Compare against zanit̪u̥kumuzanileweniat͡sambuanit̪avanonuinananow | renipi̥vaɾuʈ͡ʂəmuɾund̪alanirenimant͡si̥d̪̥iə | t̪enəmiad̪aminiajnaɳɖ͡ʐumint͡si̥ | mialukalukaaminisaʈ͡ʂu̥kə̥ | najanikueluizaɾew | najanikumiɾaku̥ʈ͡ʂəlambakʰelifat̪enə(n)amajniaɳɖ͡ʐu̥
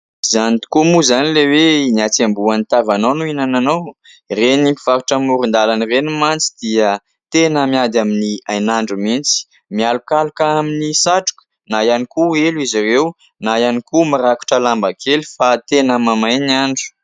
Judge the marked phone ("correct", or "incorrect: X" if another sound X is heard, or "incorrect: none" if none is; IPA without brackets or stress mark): incorrect: m